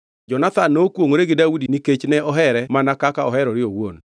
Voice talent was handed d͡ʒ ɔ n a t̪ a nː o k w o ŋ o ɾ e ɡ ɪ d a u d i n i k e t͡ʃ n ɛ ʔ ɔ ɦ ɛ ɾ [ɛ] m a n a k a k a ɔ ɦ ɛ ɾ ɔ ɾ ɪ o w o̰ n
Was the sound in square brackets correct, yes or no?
yes